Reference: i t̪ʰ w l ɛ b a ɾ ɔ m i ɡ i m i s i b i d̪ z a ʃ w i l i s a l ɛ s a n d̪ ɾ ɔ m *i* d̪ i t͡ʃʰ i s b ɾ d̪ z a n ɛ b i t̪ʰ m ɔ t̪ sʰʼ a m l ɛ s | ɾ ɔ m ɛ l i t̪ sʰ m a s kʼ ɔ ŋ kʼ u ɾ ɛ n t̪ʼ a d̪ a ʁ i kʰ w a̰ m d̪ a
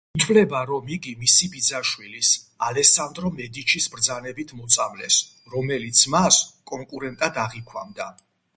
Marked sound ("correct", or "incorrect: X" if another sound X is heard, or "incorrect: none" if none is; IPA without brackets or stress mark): incorrect: ɛ